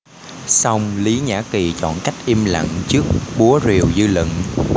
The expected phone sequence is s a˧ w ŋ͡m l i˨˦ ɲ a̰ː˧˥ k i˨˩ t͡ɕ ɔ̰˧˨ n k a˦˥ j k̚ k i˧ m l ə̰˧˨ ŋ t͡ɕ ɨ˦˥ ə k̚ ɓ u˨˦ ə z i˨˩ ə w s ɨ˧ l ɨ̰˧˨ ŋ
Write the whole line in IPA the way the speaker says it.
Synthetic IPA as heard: s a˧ w ŋ͡m l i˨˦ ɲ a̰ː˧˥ k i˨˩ t͡ɕ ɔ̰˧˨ n k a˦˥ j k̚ ʔ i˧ m l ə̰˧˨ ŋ t͡ɕ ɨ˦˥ ə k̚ ɓ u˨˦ ə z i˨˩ ə w z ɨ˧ l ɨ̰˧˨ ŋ